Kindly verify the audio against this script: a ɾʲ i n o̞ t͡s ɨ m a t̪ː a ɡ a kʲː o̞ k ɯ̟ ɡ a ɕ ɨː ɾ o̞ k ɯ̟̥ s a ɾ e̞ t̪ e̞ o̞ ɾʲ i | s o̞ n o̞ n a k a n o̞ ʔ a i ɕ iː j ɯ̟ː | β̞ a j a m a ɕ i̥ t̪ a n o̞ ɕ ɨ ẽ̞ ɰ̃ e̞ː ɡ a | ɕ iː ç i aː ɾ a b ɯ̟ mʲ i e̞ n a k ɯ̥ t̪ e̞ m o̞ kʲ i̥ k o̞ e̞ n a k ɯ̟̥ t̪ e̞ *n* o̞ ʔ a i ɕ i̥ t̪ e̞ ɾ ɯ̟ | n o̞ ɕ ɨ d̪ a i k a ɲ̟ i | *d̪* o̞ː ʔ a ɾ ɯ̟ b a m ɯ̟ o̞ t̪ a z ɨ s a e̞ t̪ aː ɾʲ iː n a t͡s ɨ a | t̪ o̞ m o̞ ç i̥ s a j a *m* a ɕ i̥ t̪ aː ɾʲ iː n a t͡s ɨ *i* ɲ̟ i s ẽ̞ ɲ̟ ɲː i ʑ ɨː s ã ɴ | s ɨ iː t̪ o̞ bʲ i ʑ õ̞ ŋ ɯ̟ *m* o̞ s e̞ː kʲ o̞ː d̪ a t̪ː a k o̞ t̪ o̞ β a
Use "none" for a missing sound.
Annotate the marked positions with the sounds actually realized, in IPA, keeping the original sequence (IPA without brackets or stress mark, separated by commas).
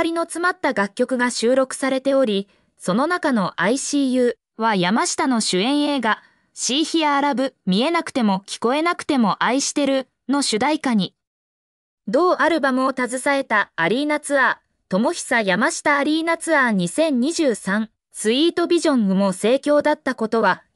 m, d̪, m, a, m